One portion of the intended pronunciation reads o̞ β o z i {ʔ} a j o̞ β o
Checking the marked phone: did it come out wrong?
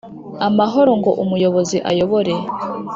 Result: no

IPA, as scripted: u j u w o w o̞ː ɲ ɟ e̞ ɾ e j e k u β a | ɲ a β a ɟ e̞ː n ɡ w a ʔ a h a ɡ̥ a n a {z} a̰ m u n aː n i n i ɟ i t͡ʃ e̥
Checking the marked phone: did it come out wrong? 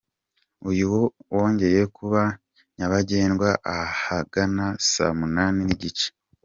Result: yes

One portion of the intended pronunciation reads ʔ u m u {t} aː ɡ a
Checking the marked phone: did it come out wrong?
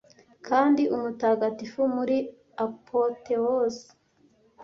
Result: no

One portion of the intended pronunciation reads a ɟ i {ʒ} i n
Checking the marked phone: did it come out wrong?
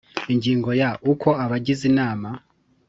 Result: yes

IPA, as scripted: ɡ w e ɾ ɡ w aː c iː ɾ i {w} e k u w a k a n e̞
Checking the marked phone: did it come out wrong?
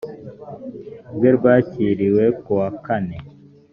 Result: no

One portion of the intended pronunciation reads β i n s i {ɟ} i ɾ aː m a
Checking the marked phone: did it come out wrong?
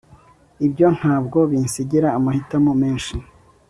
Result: no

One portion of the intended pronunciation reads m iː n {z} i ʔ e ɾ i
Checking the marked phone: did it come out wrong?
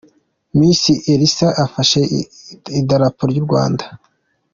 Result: yes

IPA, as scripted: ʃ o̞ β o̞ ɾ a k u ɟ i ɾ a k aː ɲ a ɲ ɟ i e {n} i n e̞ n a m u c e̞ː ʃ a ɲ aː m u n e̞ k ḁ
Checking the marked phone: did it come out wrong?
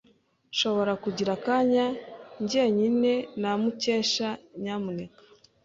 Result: yes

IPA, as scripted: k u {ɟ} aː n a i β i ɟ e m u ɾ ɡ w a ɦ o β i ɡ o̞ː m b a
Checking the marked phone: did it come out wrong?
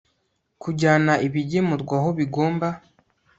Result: no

